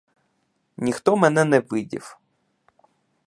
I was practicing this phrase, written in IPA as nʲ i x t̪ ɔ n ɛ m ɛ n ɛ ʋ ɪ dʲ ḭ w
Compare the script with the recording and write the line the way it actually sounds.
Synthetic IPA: nʲ i x t̪ ɔ m ɛ n ɛ n ɛ ʋ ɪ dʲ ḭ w